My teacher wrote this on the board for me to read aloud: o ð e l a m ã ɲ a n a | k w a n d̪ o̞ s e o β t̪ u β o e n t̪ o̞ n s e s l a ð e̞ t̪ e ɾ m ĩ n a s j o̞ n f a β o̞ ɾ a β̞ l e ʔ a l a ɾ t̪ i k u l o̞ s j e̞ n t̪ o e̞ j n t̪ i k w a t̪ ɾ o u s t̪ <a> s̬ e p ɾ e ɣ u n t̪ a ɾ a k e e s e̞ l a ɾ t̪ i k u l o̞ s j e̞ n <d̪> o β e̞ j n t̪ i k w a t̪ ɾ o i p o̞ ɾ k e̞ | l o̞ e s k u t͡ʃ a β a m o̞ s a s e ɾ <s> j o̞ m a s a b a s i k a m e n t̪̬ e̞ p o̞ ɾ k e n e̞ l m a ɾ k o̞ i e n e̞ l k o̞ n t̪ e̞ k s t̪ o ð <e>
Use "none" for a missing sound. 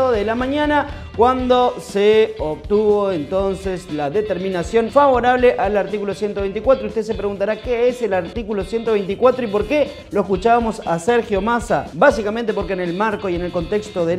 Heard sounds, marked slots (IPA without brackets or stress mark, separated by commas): e, t̪, x, e